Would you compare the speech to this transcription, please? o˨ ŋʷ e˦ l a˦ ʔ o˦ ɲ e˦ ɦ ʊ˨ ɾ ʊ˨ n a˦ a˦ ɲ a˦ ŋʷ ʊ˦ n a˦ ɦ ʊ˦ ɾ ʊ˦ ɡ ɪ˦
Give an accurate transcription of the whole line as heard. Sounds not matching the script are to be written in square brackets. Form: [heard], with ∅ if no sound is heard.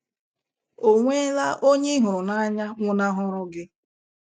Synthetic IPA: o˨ ŋʷ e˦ l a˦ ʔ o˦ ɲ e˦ ɦ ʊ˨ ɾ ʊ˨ n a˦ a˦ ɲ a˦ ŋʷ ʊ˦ n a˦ ɦ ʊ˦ ɾ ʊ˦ ɡ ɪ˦